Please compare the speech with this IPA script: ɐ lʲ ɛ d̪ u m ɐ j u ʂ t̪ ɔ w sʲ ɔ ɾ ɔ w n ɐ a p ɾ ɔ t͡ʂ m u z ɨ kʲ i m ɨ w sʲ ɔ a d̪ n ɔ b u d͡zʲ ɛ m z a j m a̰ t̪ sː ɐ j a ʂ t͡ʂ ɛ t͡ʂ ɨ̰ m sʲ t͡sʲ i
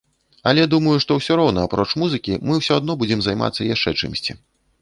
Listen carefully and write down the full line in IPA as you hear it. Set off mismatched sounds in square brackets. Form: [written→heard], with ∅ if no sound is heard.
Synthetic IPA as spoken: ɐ lʲ ɛ d̪ u m ɐ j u ʂ t̪ ɔ w sʲ ɔ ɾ ɔ w n ɐ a p ɾ ɔ t͡ʂ m u z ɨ kʲ i m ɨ w sʲ ɔ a d̪ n ɔ b u d͡zʲ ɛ m z a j m a̰ t̪ sː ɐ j a ʂ t͡ʂ ɛ t͡ʂ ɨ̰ m sʲ t͡sʲ i